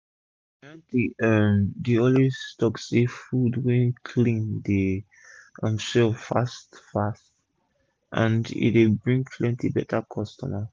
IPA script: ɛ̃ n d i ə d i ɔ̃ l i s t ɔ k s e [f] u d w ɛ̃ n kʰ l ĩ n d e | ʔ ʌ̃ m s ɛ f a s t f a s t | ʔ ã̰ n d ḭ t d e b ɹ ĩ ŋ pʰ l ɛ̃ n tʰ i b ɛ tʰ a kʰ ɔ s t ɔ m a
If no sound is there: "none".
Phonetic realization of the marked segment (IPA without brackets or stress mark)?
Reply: f